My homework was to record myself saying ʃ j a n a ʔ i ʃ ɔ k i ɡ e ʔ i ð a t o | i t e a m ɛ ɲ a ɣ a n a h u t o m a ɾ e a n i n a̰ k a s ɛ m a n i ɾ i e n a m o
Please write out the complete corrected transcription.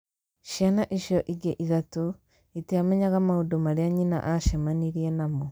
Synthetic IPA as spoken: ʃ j a n a ʔ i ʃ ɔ ʔ i ɡ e ʔ i ð a t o | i t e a m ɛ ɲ a ɣ a m a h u d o m a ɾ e a ɲ i n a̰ ʔ a ʃ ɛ m a n i ɾ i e n a m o